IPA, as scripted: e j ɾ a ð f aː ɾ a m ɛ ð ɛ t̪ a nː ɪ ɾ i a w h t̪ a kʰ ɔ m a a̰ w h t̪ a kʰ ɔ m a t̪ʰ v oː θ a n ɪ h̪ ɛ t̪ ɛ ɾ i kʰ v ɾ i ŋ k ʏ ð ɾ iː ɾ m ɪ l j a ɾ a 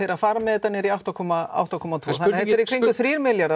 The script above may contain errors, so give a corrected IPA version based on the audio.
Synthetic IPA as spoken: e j ɾ a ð f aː ɾ a m ɛ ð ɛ t̪ a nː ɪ ɾ i a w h t̪ a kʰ ɔ m a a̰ w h t̪ a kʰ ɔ m a t̪ʰ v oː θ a n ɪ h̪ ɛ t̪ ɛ ɾ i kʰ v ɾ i ŋ k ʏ θ ɾ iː ɾ m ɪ l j a ɾ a